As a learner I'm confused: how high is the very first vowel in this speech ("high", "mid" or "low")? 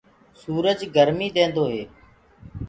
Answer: high